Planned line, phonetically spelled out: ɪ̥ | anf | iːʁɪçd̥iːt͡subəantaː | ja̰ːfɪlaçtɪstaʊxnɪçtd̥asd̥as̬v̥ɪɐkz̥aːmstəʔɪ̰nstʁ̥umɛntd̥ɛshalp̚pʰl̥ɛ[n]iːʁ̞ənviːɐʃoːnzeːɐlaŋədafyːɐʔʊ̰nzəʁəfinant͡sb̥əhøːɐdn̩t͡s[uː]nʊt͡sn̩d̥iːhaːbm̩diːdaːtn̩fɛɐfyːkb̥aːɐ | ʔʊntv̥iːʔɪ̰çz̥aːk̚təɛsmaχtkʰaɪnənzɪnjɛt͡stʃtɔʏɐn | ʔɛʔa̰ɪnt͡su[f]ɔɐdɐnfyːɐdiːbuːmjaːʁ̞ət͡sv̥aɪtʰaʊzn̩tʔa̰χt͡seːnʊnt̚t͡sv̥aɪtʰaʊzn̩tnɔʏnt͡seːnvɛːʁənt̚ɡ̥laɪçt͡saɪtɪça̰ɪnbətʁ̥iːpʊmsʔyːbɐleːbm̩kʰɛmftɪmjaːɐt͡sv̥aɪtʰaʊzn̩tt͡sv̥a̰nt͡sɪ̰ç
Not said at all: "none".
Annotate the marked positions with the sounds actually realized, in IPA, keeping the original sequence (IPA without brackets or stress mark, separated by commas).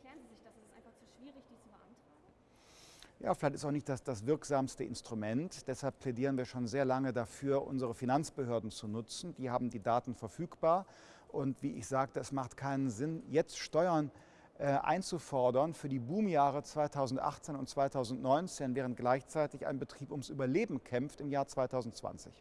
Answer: d, u, f